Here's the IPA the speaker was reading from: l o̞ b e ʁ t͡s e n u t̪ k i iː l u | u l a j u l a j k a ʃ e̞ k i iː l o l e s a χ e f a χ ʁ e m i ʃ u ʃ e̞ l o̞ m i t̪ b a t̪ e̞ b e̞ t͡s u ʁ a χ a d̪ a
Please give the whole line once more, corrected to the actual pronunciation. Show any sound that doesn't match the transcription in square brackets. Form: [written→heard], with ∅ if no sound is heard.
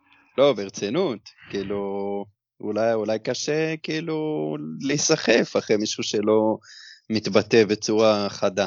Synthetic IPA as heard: l o̞ b e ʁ t͡s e n u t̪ k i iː l u | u l a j u l a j k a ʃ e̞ k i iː l [o→u] l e s a χ e f a χ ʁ e m i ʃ u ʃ e̞ l o̞ m i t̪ b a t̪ e̞ b e̞ t͡s u ʁ a χ a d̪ a